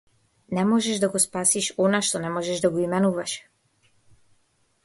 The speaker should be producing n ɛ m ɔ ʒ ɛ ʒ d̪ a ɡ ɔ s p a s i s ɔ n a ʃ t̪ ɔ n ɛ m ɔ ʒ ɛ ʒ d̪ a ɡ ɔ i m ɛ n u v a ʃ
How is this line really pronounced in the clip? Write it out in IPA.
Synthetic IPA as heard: n ɛ m ɔ ʒ ɛ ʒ d̪ a ɡ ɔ s p a s i ʃ ɔ n a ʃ t̪ ɔ n ɛ m ɔ ʒ ɛ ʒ d̪ a ɡ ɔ i m ɛ n u v a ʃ

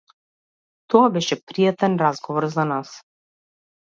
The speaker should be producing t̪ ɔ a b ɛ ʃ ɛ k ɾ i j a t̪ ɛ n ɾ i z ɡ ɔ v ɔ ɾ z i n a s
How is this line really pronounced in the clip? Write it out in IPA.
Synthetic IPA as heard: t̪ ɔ a b ɛ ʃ ɛ p ɾ i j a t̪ ɛ n ɾ a z ɡ ɔ v ɔ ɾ z a n a s

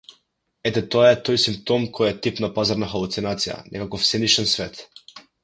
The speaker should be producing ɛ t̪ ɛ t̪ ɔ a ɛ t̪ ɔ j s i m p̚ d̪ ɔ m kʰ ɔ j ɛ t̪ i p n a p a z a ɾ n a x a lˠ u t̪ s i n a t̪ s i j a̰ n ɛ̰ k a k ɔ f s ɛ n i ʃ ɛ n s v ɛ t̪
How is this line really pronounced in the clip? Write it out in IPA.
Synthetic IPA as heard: ɛ t̪ ɛ t̪ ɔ a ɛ t̪ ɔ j s i m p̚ t̪ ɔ m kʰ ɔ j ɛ t̪ i p n a p a z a ɾ n a x a lˠ u t̪ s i n a t̪ s i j a̰ n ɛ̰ k a k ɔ f s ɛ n i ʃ ɛ n s v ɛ t̪

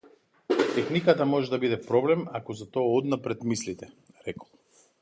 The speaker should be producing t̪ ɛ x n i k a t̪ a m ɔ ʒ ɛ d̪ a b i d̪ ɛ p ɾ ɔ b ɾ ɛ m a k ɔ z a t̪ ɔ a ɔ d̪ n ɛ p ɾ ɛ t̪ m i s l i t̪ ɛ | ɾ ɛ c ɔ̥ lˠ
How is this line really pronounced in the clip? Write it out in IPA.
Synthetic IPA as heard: t̪ ɛ x n i k a t̪ a m ɔ ʒ ɛ d̪ a b i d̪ ɛ p ɾ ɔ b l ɛ m a k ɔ z a t̪ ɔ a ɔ d̪ n a p ɾ ɛ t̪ m i s l i t̪ ɛ | ɾ ɛ k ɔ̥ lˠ

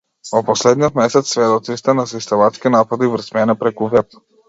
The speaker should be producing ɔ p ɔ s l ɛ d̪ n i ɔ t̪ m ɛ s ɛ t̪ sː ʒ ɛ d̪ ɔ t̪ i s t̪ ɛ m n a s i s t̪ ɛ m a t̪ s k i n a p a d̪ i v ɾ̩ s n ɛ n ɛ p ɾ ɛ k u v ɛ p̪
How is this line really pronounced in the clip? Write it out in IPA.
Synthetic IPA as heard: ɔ p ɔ s l ɛ d̪ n i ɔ t̪ m ɛ s ɛ t̪ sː v ɛ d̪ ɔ t̪ i s t̪ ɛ n a s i s t̪ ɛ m a t̪ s k i n a p a d̪ i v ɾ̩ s m ɛ n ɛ p ɾ ɛ k u v ɛ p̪

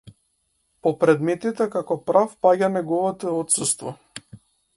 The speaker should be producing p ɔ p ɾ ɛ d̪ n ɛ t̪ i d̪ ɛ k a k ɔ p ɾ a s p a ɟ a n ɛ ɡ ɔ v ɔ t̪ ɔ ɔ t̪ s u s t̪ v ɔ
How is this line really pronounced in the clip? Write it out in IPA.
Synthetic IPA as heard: p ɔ p ɾ ɛ d̪ m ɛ t̪ i t̪ ɛ k a k ɔ p ɾ a f p a ɟ a n ɛ ɡ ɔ v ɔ t̪ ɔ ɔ t̪ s u s t̪ v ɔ

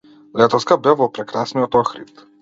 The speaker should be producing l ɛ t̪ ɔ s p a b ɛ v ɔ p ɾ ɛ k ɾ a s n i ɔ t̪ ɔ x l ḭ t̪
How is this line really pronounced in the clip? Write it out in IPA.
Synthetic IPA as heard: l ɛ t̪ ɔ s k a b ɛ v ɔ p ɾ ɛ k ɾ a s n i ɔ t̪ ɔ x ɾ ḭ t̪

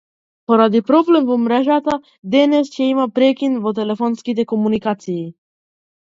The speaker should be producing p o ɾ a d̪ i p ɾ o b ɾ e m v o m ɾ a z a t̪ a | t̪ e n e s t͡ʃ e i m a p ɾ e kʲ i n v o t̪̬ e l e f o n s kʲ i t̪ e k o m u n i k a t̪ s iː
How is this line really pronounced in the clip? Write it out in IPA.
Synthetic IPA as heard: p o ɾ a d̪ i p ɾ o b l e m v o m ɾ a ʒ a t̪ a | d̪ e n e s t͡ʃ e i m a p ɾ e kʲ i n v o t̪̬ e l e f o n s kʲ i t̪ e k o m u n i k a t̪ s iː

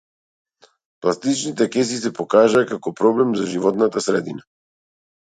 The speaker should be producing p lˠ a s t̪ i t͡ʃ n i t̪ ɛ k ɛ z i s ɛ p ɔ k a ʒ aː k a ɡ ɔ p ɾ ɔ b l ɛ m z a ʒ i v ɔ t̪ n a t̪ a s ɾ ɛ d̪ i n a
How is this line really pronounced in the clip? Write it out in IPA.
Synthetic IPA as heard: p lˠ a s t̪ i t͡ʃ n i t̪ ɛ k ɛ s i s ɛ p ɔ k a ʒ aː k a k ɔ p ɾ ɔ b l ɛ m z a ʒ i v ɔ t̪ n a t̪ a s ɾ ɛ d̪ i n a

